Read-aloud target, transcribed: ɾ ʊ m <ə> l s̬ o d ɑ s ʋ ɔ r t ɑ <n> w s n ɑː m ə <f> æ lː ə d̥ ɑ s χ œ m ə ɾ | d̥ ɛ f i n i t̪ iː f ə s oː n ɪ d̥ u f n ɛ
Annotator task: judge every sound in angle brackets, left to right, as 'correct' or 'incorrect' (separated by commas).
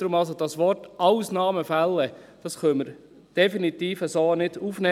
incorrect, incorrect, correct